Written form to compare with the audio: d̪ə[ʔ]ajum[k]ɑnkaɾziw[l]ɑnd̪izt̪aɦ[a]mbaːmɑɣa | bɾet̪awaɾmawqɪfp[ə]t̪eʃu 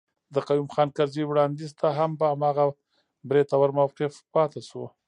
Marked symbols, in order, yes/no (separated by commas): no, no, no, yes, no